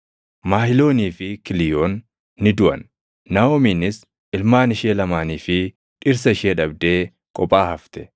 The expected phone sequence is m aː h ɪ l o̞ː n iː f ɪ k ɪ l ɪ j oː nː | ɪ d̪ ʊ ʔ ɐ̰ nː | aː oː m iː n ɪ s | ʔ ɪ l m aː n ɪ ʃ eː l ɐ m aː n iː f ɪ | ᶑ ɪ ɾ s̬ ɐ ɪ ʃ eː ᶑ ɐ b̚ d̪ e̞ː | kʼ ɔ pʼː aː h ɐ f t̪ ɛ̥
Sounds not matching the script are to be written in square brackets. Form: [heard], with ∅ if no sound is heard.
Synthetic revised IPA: m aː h ɪ l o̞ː n iː f ɪ k ɪ l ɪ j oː nː | ɪ d̪ ʊ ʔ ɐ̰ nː | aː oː m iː n ɪ s | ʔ ɪ l m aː n ɪ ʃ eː l ɐ m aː n iː f ɪ | ᶑ ɪ ɾ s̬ ɐ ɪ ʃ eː ᶑ ɐ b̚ d̪ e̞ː | kʼ ɔ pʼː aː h ɐ f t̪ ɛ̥